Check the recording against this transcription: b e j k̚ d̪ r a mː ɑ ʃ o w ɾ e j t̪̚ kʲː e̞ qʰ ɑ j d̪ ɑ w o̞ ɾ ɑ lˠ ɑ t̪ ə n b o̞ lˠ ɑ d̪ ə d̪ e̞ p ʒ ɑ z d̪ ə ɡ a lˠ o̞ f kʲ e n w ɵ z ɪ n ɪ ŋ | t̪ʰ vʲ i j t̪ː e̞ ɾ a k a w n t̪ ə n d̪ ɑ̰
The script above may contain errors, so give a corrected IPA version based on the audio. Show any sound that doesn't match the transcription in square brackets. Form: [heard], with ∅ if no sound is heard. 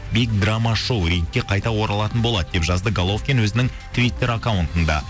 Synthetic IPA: b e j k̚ d̪ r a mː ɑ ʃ o w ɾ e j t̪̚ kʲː e̞ qʰ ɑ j [t̪] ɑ w o̞ ɾ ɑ lˠ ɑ t̪ ə n b o̞ lˠ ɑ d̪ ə d̪ e̞ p ʒ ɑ z d̪ ə ɡ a lˠ o̞ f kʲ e n w ɵ z ɪ n ɪ ŋ | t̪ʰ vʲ i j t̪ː e̞ ɾ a k a w n t̪ ə n d̪ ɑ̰